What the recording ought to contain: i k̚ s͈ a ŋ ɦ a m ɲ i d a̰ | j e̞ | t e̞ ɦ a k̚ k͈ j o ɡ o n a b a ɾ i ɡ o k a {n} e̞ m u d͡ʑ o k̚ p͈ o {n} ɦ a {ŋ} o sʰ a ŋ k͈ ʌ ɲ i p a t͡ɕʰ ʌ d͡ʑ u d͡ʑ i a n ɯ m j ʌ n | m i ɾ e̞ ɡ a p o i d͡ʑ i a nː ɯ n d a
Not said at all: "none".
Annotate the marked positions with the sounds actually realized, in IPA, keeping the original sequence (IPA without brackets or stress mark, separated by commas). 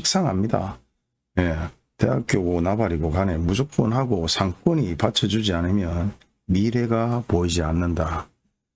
n, n, ɡ